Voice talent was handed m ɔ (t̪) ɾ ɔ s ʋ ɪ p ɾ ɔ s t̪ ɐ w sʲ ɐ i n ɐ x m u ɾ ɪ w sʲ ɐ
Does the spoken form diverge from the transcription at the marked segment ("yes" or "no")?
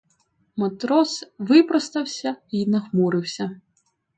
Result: no